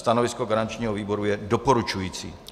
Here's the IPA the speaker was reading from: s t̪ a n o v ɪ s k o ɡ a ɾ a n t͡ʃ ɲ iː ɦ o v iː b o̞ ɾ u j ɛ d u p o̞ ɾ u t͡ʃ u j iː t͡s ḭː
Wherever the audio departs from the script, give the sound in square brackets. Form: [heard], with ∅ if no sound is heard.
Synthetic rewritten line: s t̪ a n o v ɪ s k o ɡ a ɾ a n t͡ʃ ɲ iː ɦ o v iː b o̞ ɾ u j ɛ d [o] p o̞ ɾ u t͡ʃ u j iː t͡s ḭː